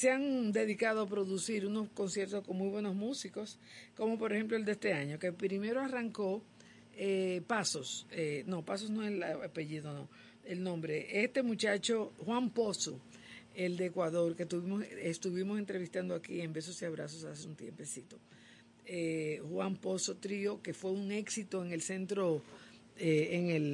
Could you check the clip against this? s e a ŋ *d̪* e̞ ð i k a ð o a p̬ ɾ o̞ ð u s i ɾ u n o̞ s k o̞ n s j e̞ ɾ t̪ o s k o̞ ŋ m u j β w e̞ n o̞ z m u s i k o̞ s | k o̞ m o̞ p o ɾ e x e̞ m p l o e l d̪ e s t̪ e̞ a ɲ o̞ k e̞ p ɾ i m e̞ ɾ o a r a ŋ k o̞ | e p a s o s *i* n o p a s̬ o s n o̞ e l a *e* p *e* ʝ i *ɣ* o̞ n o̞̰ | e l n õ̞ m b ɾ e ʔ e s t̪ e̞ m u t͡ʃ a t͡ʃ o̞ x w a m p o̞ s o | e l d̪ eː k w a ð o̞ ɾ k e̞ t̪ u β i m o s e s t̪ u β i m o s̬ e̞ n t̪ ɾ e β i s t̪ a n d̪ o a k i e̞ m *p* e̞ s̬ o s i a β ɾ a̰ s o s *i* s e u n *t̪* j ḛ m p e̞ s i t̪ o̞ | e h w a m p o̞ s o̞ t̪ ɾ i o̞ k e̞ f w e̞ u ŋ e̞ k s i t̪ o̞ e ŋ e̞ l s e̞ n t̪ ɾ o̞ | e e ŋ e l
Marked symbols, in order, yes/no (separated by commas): yes, no, no, yes, no, no, no, yes